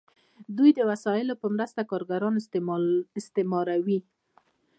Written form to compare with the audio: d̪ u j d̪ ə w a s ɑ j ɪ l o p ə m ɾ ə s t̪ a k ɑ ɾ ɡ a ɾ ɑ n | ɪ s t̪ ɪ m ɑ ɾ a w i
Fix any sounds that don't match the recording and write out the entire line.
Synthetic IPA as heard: d̪ u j d̪ ə w a s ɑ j ɪ l o p ə m ɾ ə s t̪ a k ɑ ɾ ɡ a ɾ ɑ n | ɪ s t̪ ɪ m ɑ ɾ a w i